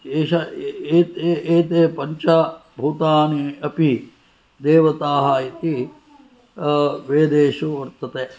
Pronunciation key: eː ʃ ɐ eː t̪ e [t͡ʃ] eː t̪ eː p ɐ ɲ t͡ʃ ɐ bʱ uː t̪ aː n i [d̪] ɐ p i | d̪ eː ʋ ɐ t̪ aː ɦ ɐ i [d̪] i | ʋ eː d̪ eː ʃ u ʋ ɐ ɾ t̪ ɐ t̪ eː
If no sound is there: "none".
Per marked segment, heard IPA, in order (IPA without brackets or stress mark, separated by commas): none, none, t̪